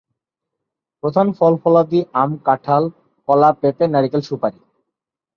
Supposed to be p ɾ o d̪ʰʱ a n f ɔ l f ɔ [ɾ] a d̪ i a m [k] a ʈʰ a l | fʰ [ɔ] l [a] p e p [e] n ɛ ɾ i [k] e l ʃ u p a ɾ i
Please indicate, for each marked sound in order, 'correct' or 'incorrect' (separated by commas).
incorrect, correct, correct, correct, correct, correct